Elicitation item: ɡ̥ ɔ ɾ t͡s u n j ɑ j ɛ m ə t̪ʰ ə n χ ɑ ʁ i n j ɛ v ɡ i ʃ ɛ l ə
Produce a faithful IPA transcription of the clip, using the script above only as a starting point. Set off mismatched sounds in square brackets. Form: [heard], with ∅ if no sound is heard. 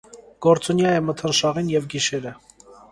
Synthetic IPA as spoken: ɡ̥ ɔ ɾ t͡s u n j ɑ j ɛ m ə t̪ʰ ə n [ʃ] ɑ ʁ i n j ɛ v ɡ i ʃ ɛ [ɾ] ə